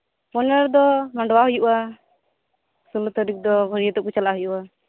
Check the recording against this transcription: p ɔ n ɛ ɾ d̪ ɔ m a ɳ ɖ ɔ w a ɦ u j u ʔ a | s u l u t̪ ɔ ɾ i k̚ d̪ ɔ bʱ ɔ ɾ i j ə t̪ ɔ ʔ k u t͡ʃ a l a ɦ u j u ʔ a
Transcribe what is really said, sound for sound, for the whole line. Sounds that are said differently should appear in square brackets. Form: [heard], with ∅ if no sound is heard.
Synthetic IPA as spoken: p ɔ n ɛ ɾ d̪ ɔ m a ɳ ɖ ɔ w a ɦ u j u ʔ a | s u l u t̪ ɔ ɾ i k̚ d̪ ɔ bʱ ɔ ɾ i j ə t̪ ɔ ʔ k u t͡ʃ a l a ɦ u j u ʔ a

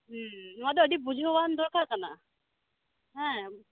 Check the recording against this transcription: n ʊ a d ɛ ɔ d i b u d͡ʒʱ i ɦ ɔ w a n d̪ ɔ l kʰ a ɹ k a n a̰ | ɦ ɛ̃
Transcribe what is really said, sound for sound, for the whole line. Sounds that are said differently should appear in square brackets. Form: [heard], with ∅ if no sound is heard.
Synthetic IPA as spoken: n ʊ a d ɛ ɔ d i b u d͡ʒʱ i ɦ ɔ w a n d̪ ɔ [ɹ] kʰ a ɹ k a n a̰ | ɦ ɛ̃

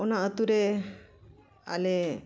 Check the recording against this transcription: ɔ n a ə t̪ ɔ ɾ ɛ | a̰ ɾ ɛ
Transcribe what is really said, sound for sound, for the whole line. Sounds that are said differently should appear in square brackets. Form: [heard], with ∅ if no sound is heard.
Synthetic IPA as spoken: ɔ n a ə t̪ [u] ɾ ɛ | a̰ [l] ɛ

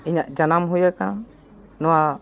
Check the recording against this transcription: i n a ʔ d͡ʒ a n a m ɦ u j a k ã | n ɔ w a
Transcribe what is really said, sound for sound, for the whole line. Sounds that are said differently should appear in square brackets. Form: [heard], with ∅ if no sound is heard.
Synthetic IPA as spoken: i [ɲ] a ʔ d͡ʒ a n a m ɦ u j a k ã | n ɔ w a

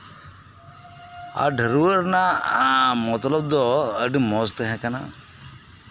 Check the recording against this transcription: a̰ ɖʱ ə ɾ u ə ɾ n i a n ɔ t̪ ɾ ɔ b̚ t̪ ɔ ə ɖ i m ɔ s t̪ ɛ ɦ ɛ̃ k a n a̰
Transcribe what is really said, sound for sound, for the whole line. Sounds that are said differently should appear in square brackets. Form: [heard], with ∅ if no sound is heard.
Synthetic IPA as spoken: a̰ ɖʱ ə ɾ u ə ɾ n [a] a [m] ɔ t̪ [l] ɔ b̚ [d̪] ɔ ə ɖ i m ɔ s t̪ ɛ ɦ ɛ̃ k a n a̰

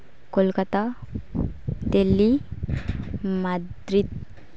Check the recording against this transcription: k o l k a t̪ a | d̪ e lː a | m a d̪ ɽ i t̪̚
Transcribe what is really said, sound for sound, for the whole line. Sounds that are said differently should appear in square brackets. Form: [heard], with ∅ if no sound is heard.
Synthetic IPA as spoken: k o l k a t̪ a | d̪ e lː [i] | m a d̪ [ɾ] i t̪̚

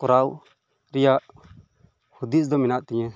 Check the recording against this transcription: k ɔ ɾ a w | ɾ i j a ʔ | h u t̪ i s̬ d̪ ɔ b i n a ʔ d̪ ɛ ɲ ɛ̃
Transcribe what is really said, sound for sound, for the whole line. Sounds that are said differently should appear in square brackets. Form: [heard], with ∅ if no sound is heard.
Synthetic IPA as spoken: k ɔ ɾ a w | ɾ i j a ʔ | h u [d̪] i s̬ d̪ ɔ [m] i n a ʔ [t̪] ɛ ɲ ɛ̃

